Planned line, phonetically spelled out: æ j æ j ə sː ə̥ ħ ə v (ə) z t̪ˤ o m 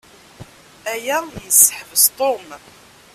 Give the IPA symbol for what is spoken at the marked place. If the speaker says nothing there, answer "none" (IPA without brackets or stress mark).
ə